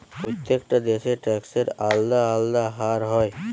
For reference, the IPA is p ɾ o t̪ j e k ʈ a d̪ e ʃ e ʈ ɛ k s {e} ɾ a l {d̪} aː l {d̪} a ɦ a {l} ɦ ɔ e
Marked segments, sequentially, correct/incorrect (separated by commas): correct, correct, correct, incorrect